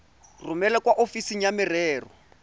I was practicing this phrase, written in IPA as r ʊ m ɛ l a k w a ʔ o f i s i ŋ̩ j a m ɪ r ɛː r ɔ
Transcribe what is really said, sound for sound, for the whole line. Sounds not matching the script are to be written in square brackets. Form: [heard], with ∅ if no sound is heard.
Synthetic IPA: r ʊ m ɛ l [ɛ] k w a ʔ o f i s i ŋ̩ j a m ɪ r ɛː r ɔ